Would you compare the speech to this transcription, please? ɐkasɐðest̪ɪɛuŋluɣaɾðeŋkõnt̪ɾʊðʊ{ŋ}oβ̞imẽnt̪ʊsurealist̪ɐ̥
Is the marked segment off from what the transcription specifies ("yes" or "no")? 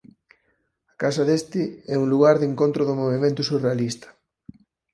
yes